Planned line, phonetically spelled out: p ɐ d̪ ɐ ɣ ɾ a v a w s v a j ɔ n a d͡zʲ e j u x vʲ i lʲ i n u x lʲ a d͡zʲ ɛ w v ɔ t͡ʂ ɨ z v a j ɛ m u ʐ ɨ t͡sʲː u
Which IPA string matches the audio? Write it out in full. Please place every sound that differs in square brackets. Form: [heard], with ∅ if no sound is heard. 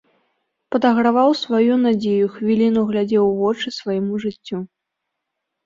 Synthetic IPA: p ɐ d̪ ɐ ɣ ɾ a v a w s v a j [u] n a d͡zʲ e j u x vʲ i lʲ i n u [ɣ] lʲ a d͡zʲ ɛ w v ɔ t͡ʂ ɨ [s] v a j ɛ m u ʐ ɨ t͡sʲː u

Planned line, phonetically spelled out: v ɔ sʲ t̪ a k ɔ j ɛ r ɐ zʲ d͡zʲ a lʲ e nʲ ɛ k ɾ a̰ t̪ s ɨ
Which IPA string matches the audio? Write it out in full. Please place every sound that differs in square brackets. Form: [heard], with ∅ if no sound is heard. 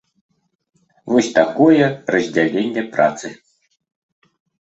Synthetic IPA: v ɔ sʲ t̪ a k ɔ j ɛ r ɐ zʲ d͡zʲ a lʲ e [nʲː] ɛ [p] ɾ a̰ t̪ s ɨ

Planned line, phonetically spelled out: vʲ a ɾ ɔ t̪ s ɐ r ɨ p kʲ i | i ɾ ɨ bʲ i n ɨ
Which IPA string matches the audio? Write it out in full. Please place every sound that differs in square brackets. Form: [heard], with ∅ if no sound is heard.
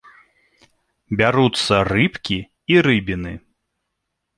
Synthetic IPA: [bʲ] a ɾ [u] t̪ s ɐ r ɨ p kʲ i | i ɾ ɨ bʲ i n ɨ

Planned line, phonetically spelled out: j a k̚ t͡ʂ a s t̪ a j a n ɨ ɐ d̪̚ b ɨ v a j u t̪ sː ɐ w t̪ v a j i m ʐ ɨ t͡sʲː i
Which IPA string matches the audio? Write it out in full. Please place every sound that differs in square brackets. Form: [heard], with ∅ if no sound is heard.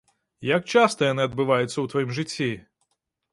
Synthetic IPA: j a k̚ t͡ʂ a s t̪ [ɐ] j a n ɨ ɐ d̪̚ b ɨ v a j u t̪ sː ɐ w t̪ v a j i m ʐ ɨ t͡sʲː i

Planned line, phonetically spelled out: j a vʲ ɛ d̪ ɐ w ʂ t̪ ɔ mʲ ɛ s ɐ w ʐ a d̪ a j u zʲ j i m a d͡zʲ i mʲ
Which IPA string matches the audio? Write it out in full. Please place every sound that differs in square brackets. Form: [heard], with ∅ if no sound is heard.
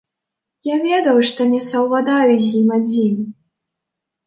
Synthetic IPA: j a vʲ ɛ d̪ ɐ w ʂ t̪ ɔ [nʲ] ɛ s ɐ w [v] a d̪ a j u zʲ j i m a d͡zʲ i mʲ

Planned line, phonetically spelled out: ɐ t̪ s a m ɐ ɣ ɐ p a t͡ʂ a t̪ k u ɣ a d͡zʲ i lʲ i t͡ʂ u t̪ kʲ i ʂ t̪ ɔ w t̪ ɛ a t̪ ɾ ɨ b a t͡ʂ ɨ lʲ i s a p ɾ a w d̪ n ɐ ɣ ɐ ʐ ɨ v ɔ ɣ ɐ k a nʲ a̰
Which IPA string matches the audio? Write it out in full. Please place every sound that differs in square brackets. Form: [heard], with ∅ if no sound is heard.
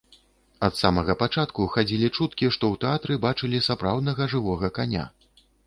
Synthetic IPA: ɐ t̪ s a m ɐ ɣ ɐ p a t͡ʂ a t̪ k u [x] a d͡zʲ i lʲ i t͡ʂ u t̪ kʲ i ʂ t̪ ɔ w t̪ ɛ a t̪ ɾ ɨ b a t͡ʂ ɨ lʲ i s a p ɾ a w d̪ n ɐ ɣ ɐ ʐ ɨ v ɔ ɣ ɐ k a nʲ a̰

